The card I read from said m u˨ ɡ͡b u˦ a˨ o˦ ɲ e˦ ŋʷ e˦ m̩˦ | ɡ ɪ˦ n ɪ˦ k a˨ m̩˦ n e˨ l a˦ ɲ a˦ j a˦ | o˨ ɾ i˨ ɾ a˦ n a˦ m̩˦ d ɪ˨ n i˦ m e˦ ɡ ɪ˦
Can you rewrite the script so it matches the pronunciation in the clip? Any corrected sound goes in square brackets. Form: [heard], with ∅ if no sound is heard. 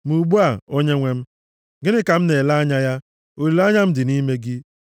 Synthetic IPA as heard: m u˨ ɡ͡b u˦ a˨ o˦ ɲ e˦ ŋʷ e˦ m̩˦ | ɡ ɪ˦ n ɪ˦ k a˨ m̩˦ n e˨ l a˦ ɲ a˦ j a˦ | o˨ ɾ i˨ [l] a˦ [ɲ] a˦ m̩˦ d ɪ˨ n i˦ m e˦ ɡ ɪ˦